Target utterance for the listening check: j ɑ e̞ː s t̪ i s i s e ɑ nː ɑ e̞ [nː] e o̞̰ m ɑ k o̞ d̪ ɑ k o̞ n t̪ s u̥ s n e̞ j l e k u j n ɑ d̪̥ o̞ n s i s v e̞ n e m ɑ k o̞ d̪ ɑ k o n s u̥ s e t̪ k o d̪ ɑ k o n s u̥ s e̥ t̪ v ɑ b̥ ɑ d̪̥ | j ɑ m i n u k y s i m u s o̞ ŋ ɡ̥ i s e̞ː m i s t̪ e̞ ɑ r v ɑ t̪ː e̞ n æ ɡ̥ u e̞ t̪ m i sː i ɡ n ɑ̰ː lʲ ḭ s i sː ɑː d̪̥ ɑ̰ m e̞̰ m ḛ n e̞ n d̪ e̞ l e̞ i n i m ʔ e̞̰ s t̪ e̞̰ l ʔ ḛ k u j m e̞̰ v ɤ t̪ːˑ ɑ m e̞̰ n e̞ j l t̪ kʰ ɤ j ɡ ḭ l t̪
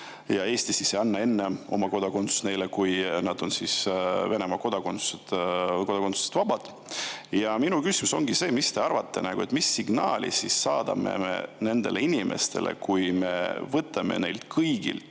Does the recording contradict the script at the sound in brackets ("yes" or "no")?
no